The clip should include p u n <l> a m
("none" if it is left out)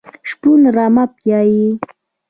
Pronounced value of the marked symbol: ɾ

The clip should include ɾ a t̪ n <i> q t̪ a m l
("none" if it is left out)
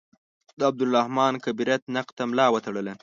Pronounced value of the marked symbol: a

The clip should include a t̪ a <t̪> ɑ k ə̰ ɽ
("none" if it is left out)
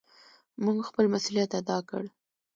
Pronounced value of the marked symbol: d̪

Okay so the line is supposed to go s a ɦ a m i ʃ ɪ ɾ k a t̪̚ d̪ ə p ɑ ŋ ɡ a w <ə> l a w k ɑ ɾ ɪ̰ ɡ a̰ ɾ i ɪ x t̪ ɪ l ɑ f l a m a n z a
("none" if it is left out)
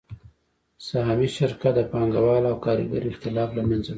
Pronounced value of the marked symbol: ɑ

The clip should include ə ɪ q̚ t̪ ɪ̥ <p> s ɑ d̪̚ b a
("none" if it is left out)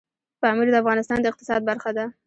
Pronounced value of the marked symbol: none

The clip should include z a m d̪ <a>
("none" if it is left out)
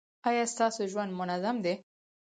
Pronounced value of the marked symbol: e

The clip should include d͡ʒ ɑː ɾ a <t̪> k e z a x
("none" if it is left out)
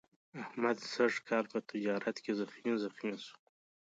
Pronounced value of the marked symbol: t̪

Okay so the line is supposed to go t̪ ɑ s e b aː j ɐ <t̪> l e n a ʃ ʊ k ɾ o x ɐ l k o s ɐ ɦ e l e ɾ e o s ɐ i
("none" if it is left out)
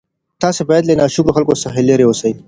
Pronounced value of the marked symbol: d̪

